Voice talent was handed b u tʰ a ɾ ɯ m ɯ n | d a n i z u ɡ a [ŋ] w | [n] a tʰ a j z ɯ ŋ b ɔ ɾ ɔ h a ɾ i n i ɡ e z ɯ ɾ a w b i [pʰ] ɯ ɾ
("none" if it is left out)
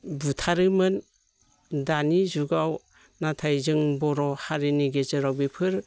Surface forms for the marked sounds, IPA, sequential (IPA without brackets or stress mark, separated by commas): none, n, pʰ